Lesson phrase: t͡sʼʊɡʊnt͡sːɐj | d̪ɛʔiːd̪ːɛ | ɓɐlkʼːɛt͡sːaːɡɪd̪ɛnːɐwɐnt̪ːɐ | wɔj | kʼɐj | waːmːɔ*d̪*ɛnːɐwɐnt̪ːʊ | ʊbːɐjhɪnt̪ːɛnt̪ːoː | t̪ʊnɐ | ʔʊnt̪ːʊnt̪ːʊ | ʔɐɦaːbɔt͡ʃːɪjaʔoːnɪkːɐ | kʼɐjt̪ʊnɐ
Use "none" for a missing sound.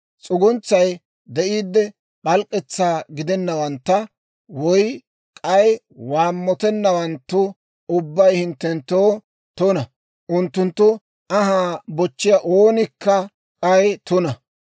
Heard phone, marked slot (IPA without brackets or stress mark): t̪